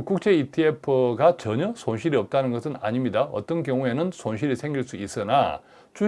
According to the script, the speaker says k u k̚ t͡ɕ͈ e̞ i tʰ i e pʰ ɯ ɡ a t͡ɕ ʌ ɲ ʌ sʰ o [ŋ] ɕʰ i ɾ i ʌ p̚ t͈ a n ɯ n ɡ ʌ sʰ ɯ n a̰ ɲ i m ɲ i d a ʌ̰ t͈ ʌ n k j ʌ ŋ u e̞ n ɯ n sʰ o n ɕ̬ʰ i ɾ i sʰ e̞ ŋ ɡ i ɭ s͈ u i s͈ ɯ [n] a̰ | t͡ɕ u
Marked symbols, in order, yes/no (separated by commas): no, yes